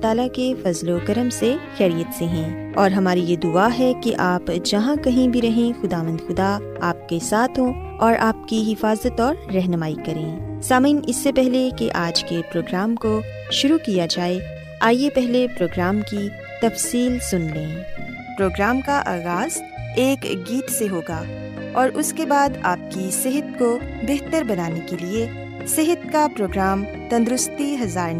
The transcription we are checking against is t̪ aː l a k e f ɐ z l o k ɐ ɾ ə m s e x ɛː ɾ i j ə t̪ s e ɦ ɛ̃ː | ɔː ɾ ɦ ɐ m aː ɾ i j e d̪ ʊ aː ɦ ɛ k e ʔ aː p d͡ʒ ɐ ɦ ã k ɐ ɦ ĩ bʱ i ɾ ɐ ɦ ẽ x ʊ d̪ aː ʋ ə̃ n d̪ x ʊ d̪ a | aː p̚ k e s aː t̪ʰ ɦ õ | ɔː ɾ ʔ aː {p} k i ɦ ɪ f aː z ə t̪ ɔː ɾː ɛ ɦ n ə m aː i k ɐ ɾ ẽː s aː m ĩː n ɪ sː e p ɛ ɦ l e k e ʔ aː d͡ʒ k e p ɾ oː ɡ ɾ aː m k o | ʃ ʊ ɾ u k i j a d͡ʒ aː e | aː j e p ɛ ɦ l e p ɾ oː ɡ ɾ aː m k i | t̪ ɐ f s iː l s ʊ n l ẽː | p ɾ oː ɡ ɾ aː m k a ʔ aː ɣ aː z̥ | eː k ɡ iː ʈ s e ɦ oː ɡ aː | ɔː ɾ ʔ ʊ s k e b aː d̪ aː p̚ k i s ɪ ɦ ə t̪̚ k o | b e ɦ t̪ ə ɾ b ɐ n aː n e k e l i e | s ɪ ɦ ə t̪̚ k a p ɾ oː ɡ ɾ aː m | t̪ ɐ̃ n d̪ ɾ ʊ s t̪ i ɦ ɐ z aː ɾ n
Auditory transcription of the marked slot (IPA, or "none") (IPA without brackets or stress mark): p